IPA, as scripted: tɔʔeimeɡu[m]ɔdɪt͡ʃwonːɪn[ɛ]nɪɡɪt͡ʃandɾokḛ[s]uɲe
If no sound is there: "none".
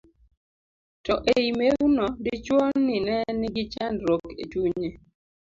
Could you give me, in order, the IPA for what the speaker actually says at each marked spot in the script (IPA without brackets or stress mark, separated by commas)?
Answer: n, ɛ, t